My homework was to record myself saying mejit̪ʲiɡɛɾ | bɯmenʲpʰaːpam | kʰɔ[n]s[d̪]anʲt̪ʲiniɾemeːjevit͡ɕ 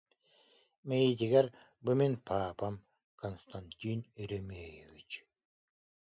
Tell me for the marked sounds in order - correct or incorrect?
correct, incorrect: t̪

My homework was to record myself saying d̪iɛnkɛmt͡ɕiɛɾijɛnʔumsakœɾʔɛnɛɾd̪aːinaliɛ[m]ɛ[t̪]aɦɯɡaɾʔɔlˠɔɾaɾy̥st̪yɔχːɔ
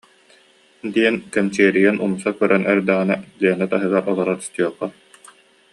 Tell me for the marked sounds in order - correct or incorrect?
incorrect: n, correct

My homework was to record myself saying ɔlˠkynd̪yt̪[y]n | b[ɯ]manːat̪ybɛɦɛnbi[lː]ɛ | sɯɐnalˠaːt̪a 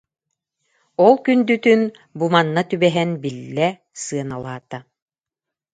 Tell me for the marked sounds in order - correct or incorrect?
correct, incorrect: u, correct

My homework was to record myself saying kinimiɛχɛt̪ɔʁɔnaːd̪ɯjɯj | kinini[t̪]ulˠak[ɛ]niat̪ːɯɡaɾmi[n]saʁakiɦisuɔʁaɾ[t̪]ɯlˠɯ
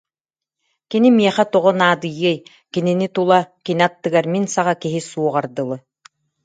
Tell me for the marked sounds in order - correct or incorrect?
correct, incorrect: i, correct, incorrect: d̪

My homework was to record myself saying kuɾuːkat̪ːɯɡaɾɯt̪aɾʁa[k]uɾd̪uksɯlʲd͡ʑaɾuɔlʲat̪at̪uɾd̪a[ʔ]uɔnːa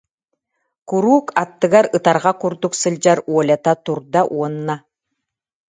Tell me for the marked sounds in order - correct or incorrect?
correct, correct

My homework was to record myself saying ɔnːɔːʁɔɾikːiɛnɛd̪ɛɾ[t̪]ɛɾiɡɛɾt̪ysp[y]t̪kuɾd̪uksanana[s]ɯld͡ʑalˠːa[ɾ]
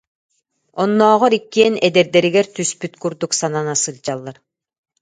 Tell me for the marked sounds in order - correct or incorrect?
incorrect: d̪, correct, correct, correct

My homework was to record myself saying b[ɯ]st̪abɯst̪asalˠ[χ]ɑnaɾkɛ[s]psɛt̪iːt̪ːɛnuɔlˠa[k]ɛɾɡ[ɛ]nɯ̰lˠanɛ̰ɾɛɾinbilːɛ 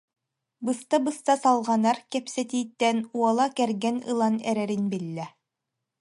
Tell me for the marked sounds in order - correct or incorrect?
correct, incorrect: ʁ, incorrect: none, correct, correct

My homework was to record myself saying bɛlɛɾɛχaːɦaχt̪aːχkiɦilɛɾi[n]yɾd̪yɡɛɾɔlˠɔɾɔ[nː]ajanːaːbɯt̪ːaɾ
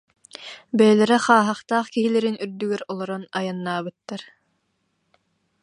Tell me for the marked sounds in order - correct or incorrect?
correct, incorrect: n

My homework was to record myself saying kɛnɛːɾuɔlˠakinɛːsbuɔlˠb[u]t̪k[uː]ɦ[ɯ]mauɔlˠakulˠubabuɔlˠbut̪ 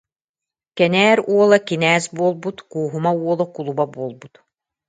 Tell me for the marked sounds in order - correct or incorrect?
correct, correct, incorrect: u

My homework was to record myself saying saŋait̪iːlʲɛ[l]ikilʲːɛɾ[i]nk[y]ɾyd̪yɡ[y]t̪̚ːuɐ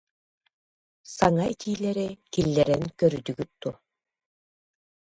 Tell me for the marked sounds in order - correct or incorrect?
incorrect: ɾ, incorrect: ɛ, incorrect: œ, correct

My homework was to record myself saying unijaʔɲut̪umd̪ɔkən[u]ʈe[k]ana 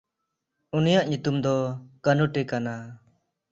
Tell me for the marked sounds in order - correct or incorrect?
correct, correct

